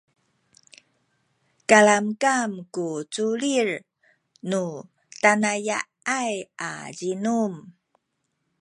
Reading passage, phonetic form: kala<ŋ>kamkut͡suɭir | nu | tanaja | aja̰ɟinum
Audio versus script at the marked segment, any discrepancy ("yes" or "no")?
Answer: yes